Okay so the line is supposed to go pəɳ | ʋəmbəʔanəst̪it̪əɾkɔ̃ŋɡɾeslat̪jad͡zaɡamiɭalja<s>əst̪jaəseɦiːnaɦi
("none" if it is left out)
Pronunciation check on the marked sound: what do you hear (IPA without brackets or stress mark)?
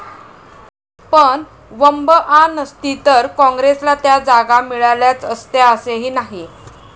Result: t͡s